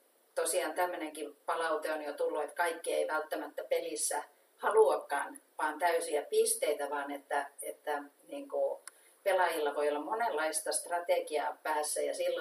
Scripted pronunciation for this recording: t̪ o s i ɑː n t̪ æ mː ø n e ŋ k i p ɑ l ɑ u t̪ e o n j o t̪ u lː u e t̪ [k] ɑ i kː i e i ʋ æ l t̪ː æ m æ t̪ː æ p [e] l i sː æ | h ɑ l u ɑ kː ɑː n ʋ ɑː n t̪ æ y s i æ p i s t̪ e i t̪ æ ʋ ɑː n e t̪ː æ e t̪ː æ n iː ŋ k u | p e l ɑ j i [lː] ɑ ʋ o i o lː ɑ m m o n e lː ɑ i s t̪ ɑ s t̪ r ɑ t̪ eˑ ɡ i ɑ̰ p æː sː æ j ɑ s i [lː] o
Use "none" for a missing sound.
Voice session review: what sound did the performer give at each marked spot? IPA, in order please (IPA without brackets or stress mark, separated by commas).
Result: k, e, lː, lː